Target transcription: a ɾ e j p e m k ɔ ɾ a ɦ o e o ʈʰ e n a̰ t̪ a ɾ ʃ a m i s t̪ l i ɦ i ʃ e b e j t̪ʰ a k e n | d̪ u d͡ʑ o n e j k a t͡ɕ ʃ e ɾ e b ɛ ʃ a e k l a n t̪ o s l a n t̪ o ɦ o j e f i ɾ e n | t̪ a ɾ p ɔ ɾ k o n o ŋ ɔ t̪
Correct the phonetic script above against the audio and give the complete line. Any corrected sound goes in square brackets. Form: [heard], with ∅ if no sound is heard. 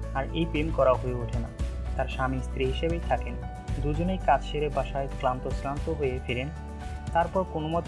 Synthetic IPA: a ɾ e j p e m k ɔ ɾ a ɦ o e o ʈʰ e n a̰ t̪ a ɾ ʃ a m i s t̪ [ɾ] i ɦ i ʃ e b e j t̪ʰ a k e n | d̪ u d͡ʑ o n e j k a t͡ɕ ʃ e ɾ e b [a] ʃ a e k l a n t̪ o s l a n t̪ o ɦ o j e f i ɾ e n | t̪ a ɾ p ɔ ɾ k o n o [m] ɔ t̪